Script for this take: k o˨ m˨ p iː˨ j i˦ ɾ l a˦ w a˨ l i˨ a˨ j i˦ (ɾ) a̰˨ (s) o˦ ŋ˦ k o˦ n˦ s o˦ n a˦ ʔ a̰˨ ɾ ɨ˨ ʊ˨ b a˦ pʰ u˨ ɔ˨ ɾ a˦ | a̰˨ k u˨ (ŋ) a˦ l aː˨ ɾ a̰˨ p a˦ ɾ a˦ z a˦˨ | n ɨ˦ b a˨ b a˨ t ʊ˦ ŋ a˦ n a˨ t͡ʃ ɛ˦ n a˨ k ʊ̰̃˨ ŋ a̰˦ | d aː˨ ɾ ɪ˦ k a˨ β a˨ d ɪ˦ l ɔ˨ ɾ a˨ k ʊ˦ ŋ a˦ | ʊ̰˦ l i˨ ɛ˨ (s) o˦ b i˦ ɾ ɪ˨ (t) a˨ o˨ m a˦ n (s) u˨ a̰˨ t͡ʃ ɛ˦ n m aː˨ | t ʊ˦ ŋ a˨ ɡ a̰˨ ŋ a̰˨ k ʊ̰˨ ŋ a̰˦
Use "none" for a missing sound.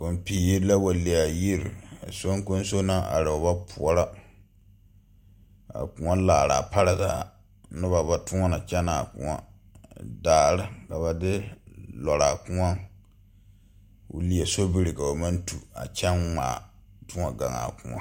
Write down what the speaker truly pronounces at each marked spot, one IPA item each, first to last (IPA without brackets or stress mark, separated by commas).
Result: ɾ, s, ŋ, s, k, t